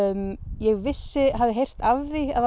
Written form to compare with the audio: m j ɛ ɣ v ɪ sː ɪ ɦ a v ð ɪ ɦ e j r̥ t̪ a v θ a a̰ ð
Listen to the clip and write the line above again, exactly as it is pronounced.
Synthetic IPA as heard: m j ɛ ɣ v ɪ sː ɪ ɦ a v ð ɪ ɦ e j r̥ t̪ a v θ i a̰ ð